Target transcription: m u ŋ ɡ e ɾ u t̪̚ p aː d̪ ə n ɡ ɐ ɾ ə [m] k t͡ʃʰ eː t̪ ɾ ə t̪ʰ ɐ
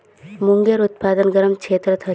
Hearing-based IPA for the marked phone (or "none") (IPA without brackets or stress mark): m